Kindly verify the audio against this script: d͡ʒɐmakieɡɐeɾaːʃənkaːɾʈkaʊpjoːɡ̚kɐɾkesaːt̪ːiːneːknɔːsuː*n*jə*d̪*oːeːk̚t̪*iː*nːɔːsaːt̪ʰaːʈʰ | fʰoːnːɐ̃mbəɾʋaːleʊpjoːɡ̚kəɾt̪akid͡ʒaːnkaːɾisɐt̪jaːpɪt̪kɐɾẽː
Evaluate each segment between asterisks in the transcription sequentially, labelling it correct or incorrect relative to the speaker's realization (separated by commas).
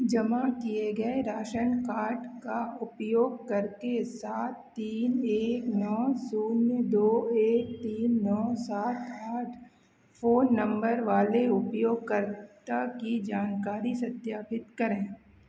correct, correct, correct